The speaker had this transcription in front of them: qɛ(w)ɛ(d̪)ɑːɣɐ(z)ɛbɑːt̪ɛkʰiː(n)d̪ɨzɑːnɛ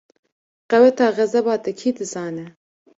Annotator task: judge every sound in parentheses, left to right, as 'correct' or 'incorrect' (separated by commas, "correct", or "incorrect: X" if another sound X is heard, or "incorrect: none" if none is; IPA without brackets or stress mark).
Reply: correct, incorrect: t̪, correct, incorrect: none